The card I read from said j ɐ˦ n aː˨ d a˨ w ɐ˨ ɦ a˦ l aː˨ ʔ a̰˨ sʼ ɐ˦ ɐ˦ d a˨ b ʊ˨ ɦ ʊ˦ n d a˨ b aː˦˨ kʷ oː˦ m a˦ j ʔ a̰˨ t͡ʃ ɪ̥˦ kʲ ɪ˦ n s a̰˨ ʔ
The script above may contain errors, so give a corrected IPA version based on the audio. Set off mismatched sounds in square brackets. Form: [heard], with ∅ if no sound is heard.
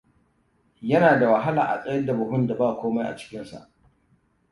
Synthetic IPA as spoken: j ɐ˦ n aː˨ d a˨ w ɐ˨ ɦ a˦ l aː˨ ʔ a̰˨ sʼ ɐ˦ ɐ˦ d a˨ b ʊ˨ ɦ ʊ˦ n d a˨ b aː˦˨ kʷ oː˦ m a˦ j ʔ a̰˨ t͡ʃ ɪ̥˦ kʲ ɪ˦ n s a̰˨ ʔ